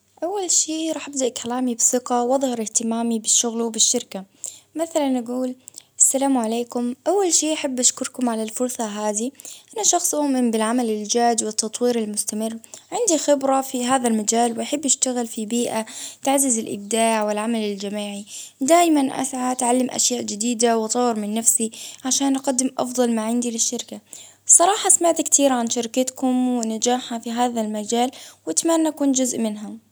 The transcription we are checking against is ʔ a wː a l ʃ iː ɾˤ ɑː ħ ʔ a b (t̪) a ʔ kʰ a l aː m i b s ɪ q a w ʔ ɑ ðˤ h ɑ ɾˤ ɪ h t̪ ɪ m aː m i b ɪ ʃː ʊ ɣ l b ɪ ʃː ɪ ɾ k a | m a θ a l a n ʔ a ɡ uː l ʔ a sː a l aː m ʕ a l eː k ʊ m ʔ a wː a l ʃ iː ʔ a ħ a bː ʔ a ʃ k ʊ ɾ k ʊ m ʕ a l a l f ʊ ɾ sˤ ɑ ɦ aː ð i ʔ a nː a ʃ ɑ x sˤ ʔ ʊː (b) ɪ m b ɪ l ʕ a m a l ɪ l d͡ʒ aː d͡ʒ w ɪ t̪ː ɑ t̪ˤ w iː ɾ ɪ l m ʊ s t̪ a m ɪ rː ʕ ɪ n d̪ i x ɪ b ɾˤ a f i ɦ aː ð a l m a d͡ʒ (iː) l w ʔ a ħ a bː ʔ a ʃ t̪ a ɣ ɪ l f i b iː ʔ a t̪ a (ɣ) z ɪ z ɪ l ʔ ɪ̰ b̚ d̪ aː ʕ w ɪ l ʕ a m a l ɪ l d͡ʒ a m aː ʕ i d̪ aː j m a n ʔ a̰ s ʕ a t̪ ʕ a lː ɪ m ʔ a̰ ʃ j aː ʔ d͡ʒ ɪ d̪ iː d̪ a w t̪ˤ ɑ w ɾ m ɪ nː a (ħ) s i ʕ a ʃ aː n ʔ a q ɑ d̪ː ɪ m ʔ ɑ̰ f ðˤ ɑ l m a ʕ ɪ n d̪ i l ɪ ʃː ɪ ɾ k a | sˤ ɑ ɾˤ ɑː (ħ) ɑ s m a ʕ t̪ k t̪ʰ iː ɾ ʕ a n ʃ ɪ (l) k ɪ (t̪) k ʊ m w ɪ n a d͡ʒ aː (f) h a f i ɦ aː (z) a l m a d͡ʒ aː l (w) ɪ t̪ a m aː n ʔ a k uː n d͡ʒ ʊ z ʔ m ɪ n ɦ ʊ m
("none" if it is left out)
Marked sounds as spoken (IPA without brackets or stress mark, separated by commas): d̪, m, aː, ʕ, f, ħ, ɾ, t̪, ħ, ð, w